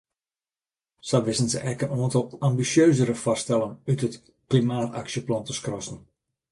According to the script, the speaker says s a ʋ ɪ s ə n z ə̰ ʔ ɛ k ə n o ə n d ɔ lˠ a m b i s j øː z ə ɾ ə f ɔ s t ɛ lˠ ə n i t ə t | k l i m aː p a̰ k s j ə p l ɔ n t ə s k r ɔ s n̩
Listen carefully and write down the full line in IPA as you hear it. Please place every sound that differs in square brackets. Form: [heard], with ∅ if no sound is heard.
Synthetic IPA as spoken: s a ʋ ɪ s ə n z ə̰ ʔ ɛ k ə n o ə n [t] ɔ lˠ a m b i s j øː z ə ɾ ə f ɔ s t ɛ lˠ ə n [y] t ə t | k l i m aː [t] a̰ k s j ə p l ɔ n t ə s k r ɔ s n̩